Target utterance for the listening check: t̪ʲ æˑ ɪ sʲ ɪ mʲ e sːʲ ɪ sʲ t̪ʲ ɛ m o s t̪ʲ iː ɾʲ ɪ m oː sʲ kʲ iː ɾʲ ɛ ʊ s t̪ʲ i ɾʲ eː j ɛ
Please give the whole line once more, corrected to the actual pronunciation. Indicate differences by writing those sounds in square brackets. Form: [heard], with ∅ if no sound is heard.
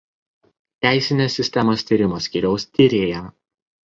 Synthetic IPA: t̪ʲ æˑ ɪ sʲ ɪ [nʲ] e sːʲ ɪ sʲ t̪ʲ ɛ m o s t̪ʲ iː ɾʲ ɪ m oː sʲ kʲ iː ɾʲ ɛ ʊ s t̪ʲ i ɾʲ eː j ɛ